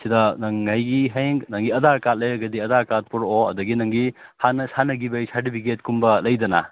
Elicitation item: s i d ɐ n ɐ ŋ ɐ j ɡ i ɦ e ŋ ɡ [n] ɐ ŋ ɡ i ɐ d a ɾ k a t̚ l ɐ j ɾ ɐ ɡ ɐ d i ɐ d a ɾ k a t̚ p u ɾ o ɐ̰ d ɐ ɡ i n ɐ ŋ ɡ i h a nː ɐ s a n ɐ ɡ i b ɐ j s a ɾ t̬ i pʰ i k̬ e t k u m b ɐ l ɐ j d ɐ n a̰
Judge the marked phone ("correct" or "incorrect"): correct